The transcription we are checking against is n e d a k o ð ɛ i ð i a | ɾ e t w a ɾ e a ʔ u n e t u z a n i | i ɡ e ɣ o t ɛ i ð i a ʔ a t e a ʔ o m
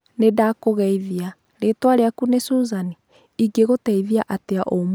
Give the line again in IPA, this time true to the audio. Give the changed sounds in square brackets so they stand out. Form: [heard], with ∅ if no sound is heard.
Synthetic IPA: n e d a k o [ɣ] ɛ i ð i a | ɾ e t w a ɾ e a [k] u n e [s] u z a n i | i ɡ e ɣ o t ɛ i ð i a ʔ a t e a ʔ o m